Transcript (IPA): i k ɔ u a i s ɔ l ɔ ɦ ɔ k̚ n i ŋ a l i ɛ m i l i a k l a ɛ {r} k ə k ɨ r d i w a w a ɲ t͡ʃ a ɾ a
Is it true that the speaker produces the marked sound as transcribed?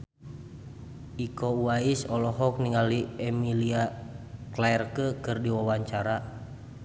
yes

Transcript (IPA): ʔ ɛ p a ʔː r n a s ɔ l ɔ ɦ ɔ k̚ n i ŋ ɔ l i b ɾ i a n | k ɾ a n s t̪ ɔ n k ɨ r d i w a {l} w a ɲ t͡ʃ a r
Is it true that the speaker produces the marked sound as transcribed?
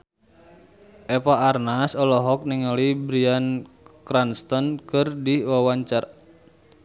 no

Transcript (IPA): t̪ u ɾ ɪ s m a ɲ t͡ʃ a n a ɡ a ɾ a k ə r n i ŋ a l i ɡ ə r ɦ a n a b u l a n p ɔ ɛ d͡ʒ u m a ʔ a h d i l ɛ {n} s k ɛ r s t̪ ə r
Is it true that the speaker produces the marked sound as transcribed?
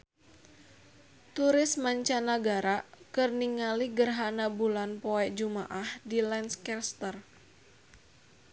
yes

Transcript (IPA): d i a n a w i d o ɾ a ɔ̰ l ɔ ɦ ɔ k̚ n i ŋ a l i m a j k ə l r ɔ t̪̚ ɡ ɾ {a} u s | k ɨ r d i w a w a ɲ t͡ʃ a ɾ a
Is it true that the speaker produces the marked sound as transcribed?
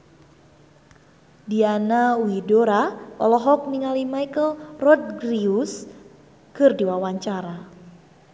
no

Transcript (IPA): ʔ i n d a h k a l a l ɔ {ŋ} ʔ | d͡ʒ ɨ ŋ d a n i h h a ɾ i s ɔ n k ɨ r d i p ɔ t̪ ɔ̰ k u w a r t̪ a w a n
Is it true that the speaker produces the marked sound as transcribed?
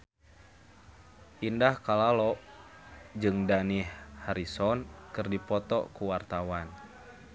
no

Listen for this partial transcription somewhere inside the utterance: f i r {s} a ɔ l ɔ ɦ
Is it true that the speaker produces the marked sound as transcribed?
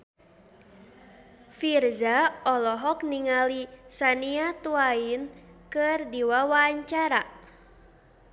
no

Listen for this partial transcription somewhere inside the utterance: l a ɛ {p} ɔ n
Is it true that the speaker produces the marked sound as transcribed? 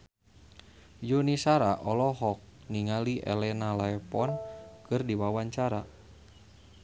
yes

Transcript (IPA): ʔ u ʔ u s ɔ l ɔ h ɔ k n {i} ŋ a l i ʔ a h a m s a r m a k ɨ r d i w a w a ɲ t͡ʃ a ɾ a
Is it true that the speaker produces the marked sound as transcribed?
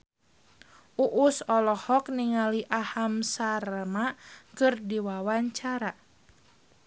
yes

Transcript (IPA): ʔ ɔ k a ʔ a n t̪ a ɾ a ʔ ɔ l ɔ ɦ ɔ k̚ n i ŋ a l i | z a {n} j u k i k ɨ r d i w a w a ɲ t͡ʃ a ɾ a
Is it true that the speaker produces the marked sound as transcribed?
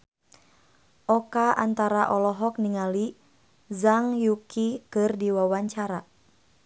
no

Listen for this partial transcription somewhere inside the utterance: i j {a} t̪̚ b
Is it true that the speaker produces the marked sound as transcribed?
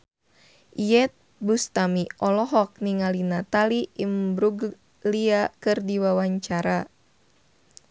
no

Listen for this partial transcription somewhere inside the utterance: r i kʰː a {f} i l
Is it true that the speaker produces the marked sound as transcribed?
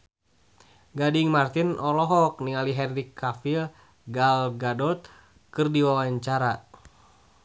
yes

